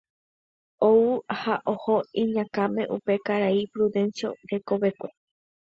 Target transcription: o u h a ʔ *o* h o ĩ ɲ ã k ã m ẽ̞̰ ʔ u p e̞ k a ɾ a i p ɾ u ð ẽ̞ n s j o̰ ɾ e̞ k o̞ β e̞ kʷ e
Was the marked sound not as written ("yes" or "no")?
no